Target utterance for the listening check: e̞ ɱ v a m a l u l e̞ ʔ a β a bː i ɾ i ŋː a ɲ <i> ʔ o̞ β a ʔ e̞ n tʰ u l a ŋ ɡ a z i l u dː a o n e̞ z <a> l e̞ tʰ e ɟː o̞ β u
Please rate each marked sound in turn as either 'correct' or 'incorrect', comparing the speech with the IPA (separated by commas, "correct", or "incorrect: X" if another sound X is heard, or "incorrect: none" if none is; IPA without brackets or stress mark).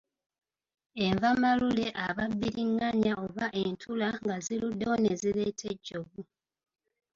incorrect: a, incorrect: i